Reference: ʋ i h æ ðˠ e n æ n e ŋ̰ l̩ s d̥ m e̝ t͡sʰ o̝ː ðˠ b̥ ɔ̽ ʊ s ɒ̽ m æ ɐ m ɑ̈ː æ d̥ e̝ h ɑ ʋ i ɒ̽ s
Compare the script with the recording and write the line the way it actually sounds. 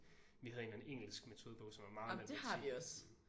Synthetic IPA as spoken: ʋ i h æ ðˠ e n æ n e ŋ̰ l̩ s ɡ̥ m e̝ t͡sʰ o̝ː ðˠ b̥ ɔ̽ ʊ s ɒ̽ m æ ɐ m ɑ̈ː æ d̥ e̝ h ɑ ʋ i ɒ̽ s